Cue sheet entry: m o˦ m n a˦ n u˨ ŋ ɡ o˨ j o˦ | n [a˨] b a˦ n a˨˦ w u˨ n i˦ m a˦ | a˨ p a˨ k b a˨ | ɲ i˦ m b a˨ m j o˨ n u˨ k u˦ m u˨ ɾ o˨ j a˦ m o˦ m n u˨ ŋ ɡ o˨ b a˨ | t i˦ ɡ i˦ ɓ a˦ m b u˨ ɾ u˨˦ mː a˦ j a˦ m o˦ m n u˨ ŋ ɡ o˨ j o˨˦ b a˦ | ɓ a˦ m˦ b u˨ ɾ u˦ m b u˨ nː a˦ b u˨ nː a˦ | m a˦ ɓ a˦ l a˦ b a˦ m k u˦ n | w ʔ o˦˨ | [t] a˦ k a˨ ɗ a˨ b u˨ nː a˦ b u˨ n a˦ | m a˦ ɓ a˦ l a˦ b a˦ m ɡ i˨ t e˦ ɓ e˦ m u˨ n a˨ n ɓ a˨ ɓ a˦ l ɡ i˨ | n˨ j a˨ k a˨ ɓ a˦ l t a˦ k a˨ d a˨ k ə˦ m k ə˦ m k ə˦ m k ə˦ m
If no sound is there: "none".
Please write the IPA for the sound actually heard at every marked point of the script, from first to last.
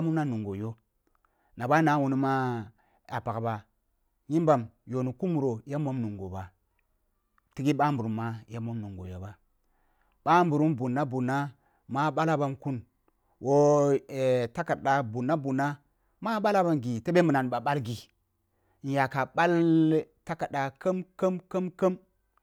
a˨, t

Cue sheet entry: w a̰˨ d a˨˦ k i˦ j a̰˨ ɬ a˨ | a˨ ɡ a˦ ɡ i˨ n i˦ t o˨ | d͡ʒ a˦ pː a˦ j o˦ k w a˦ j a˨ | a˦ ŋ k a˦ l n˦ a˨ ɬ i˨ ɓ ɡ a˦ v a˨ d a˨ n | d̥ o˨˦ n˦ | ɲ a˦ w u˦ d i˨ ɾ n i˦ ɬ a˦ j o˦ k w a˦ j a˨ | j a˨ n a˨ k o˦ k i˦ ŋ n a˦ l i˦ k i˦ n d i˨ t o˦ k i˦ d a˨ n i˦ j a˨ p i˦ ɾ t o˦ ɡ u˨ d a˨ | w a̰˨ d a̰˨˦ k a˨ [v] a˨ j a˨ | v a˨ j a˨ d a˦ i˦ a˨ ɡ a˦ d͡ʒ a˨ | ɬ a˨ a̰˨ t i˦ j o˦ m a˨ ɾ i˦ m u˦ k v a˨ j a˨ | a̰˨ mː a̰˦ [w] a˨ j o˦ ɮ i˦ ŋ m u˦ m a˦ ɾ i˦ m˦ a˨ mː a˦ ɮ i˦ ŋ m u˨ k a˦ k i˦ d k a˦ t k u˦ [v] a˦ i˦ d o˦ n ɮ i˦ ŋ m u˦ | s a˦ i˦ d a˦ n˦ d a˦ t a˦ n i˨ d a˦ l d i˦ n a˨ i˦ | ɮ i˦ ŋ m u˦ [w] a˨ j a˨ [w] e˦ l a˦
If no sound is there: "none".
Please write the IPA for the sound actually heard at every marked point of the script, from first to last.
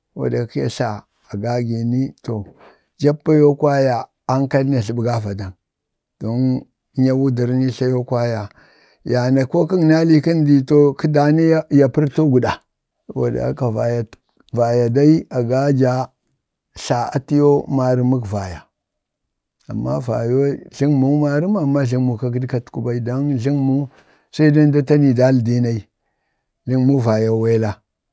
v, v, b, v, w

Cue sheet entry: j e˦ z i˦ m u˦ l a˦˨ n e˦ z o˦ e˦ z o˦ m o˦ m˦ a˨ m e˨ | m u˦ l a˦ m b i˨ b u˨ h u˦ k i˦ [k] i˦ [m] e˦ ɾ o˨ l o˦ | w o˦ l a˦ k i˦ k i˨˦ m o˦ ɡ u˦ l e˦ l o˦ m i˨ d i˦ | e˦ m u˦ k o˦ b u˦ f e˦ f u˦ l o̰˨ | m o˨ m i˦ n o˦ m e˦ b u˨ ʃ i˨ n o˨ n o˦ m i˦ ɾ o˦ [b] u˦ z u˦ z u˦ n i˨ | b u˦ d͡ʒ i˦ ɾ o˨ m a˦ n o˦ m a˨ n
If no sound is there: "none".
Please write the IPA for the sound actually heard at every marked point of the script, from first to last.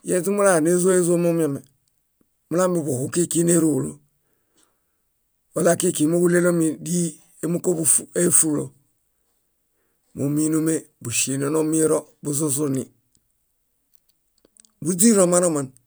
k, n, b

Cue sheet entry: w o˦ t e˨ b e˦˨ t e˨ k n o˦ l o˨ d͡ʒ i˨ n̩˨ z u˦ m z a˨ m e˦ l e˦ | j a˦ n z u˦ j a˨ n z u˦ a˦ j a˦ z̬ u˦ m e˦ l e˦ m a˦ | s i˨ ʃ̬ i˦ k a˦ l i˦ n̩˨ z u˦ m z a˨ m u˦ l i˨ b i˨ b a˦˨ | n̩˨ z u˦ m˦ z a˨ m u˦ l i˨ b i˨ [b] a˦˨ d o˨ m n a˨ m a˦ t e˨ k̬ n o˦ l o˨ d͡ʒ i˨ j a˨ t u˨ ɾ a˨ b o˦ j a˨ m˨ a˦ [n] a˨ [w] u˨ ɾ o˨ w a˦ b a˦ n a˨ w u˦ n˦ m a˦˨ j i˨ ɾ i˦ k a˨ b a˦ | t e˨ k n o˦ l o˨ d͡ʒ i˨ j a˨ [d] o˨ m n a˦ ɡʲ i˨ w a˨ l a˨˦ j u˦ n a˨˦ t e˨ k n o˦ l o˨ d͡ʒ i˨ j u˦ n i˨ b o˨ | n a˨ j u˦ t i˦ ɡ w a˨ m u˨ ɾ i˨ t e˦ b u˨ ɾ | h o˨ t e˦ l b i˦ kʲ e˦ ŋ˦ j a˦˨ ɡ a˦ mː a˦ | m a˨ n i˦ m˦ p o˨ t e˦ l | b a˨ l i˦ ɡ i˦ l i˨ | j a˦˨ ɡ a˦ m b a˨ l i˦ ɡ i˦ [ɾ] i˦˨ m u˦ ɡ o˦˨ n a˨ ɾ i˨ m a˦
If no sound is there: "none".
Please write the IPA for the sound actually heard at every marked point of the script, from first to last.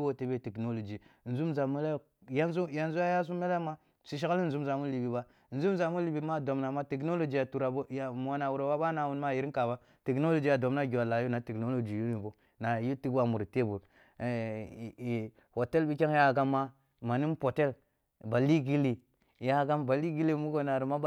m, n, w, d, l

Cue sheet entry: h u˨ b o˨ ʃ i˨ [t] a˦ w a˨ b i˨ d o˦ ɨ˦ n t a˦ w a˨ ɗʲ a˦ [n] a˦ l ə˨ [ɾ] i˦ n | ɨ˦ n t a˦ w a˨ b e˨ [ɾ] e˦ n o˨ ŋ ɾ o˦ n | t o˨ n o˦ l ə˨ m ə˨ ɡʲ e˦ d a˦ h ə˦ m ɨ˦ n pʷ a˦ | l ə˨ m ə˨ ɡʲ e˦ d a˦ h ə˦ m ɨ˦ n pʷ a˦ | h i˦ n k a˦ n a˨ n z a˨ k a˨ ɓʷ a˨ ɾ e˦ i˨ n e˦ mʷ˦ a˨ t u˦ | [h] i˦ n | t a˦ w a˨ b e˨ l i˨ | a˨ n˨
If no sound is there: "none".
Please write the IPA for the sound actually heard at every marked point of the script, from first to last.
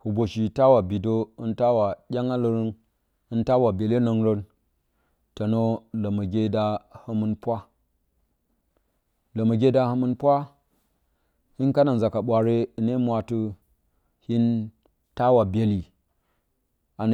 t, ŋ, ɾ, l, h

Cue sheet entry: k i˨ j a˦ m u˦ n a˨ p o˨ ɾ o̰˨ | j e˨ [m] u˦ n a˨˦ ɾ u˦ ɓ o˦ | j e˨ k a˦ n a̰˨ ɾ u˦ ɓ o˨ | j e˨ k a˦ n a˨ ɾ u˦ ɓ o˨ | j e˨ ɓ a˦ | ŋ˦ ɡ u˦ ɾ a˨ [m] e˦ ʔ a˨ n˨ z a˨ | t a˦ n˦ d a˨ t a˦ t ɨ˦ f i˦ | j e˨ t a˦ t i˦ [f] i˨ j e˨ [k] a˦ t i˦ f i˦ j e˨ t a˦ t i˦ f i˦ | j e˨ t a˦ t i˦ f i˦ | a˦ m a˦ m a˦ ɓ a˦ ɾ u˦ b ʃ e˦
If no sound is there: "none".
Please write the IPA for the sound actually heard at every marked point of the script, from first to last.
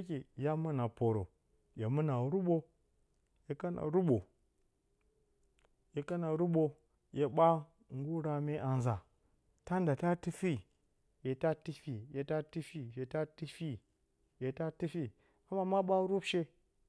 m, m, f, t

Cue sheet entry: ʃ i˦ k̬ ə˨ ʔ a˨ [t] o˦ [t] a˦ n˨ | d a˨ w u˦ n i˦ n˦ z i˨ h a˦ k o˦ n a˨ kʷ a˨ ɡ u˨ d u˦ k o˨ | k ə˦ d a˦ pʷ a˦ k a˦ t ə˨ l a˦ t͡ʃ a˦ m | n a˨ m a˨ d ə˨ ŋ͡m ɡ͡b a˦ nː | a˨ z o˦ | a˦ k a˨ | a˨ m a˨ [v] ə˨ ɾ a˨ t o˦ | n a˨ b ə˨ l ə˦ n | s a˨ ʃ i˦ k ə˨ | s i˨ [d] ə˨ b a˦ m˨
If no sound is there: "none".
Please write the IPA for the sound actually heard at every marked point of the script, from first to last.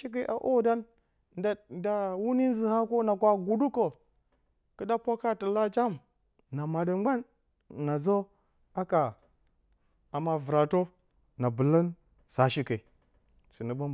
ʔ, d, v, n

